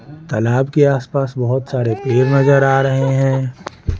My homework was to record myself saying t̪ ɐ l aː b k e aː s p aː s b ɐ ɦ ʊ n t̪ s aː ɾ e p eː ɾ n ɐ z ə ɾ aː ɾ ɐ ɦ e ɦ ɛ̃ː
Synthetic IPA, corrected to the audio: t̪ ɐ l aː b k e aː s p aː s b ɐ ɦ ʊ t̪ s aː ɾ e p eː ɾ n ɐ z ə ɾ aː ɾ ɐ ɦ e ɦ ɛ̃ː